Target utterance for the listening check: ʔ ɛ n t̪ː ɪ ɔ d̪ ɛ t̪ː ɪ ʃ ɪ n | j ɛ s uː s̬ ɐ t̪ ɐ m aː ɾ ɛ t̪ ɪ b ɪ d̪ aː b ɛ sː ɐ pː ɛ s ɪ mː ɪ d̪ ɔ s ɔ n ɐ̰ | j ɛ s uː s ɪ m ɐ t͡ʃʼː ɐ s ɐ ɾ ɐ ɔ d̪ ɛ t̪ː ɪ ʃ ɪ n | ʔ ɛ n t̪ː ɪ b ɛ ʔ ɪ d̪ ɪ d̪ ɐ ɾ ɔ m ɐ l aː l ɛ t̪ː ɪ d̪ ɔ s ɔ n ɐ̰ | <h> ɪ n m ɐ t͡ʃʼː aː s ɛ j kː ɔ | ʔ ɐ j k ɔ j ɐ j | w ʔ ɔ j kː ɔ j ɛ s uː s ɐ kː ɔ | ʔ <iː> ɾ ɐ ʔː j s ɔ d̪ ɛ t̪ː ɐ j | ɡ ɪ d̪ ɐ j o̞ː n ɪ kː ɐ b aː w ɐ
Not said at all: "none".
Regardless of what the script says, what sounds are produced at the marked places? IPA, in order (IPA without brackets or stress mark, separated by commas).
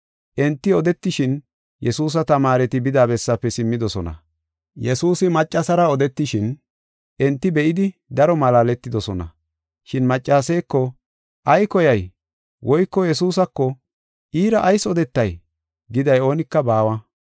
ʃ, iː